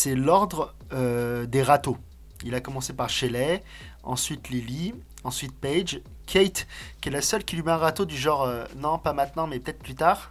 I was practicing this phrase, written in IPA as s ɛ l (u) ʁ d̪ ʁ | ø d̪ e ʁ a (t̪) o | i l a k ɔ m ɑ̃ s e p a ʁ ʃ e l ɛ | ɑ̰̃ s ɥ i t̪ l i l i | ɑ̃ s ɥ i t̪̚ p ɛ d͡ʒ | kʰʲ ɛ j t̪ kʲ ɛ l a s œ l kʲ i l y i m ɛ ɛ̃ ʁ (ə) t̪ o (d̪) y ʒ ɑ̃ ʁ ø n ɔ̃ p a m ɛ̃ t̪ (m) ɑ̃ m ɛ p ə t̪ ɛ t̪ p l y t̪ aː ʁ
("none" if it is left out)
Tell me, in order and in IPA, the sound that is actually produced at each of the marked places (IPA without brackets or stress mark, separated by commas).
ɔ, t̪, a, d̪, n